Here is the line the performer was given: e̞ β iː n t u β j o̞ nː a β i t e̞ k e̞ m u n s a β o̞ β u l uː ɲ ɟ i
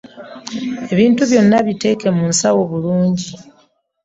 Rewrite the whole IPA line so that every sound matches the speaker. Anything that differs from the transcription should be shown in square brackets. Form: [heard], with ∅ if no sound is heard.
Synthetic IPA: e̞ β iː n t u β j o̞ nː a β i t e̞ k e̞ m u n s a [w] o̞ β u l uː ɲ ɟ i